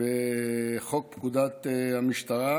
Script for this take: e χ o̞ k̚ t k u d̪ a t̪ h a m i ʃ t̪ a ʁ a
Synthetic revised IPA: e χ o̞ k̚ p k u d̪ a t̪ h a m i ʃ t̪ a ʁ a